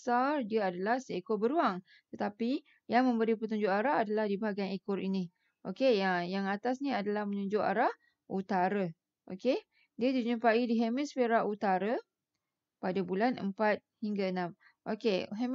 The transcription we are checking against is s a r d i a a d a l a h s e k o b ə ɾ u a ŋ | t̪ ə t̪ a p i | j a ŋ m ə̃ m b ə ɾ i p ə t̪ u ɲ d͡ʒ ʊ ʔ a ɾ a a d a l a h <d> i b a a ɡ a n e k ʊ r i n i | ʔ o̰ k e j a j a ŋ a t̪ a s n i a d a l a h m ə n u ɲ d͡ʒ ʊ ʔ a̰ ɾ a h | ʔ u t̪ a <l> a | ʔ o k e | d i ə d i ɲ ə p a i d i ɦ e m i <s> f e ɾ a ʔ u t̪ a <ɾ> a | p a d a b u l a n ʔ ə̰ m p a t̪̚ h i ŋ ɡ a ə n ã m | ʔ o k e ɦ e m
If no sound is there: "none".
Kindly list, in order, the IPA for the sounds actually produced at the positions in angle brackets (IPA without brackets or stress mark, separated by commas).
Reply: d, ɾ, s, ɾ